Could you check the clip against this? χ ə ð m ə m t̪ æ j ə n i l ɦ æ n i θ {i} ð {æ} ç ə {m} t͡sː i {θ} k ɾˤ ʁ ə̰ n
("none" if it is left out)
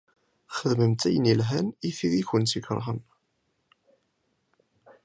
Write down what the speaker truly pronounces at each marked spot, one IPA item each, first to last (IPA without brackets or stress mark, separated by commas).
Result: i, i, n, none